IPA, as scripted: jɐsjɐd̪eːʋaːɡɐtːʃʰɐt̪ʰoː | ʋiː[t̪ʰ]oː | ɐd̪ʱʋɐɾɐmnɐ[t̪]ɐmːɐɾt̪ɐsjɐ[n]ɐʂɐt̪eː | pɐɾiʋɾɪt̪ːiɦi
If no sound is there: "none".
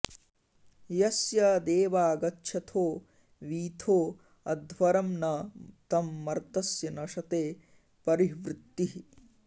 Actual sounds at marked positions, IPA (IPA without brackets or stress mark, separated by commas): t̪ʰ, t̪, n